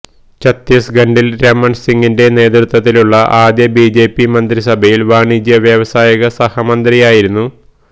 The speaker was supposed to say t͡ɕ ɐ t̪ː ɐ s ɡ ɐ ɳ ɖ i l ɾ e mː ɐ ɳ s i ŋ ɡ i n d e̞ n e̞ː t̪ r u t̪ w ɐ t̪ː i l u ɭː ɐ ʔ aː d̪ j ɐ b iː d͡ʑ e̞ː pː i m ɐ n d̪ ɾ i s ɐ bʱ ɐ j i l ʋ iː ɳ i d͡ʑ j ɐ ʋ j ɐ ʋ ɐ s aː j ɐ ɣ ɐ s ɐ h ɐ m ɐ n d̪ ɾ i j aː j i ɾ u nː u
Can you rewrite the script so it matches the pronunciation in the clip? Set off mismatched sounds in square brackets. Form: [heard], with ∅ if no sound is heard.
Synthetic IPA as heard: t͡ɕ ɐ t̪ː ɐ s ɡ ɐ ɳ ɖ i l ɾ e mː ɐ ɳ s i ŋ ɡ i n d e̞ n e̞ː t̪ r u t̪ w ɐ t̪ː i l u ɭː ɐ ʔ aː d̪ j ɐ b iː d͡ʑ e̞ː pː i m ɐ n d̪ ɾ i s ɐ bʱ ɐ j i l ʋ [aː] ɳ i d͡ʑ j ɐ ʋ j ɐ ʋ ɐ s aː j ɐ ɣ ɐ s ɐ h ɐ m ɐ n d̪ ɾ i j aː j i ɾ u nː u